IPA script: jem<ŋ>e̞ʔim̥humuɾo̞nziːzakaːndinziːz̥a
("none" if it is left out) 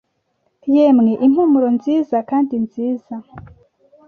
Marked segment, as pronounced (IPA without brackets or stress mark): ŋ